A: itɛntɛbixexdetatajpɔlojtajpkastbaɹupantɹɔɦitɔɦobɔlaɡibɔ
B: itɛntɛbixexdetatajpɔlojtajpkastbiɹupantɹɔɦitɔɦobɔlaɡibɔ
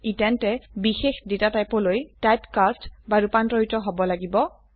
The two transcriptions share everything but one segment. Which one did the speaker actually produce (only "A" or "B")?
A